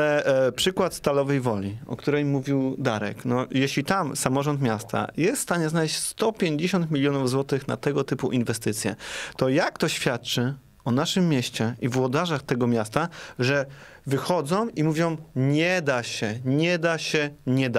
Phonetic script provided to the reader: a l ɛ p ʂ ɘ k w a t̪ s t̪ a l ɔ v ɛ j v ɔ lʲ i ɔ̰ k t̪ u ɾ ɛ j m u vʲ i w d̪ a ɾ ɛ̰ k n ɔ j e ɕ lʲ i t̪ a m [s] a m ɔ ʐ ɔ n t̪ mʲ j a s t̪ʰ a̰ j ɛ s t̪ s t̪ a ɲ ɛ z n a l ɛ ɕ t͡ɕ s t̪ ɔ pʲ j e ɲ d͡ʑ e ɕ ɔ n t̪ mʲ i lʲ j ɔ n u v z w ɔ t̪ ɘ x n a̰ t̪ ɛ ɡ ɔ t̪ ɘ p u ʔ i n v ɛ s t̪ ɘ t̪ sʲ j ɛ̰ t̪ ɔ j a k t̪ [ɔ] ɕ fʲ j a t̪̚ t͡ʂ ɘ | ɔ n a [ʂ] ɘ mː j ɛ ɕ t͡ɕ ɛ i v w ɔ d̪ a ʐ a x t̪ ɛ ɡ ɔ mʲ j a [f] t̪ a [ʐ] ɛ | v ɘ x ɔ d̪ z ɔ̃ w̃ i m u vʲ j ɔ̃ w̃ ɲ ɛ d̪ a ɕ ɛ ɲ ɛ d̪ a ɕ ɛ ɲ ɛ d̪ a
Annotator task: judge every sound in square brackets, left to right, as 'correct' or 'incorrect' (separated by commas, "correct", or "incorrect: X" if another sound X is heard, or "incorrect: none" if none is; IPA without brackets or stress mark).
correct, correct, correct, incorrect: s, correct